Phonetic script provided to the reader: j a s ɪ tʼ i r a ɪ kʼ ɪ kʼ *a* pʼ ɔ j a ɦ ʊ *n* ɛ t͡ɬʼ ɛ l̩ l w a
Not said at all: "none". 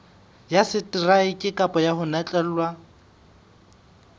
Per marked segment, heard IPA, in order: a, n

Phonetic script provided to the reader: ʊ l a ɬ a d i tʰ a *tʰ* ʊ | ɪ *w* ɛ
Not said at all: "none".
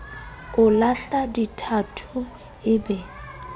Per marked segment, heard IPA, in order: tʰ, b

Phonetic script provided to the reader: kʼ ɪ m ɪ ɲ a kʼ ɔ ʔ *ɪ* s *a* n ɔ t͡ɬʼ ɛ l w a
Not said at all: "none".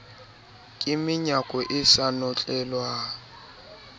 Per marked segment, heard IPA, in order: ɪ, a

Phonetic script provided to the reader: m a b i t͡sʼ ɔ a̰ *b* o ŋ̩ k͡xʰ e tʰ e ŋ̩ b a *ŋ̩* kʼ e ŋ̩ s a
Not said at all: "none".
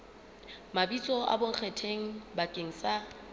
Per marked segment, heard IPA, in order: b, none

